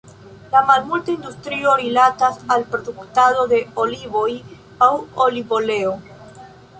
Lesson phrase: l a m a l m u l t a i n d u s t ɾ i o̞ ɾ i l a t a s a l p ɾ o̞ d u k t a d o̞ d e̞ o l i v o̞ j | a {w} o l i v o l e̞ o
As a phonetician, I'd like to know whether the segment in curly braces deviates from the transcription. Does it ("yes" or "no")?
no